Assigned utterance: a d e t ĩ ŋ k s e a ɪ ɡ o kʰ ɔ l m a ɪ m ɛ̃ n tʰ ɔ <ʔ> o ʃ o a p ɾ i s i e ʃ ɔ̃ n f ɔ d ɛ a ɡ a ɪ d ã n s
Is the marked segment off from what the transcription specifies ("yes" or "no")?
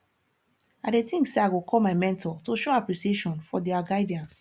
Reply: yes